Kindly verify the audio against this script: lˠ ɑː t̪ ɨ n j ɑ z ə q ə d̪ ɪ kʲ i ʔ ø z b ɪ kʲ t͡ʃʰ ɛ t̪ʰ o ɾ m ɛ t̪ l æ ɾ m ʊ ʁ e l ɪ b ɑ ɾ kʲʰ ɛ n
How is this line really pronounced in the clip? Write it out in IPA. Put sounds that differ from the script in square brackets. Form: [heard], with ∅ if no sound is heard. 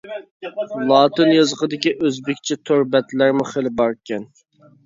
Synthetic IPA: lˠ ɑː t̪ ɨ n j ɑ z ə q ə d̪ ɪ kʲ i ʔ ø z b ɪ kʲ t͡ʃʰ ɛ t̪ʰ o ɾ [b] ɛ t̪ l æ ɾ m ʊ [χ] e l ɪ b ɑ ɾ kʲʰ ɛ n